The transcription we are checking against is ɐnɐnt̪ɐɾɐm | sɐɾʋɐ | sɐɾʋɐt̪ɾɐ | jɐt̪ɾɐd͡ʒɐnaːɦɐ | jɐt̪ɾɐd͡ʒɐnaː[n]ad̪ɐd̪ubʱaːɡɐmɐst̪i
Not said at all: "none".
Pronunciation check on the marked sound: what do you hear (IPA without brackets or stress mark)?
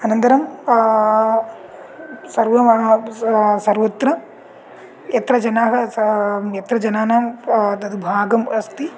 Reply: n